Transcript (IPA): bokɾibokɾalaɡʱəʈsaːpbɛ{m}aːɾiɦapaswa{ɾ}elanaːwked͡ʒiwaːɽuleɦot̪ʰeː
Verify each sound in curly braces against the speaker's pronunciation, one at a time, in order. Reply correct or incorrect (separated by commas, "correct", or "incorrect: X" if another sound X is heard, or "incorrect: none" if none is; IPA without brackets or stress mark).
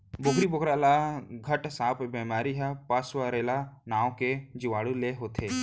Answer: correct, correct